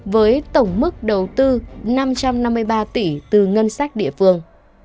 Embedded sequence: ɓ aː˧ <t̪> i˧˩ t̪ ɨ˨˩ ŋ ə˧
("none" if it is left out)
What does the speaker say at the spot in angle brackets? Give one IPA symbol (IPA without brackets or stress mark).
t̪